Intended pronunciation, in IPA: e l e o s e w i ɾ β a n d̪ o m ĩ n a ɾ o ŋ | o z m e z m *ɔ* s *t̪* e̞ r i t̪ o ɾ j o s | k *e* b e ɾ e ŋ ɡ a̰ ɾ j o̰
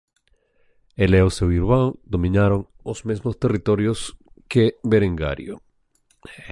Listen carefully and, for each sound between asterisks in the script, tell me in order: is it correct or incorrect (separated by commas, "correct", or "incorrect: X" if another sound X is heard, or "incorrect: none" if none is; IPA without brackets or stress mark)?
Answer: incorrect: o, correct, correct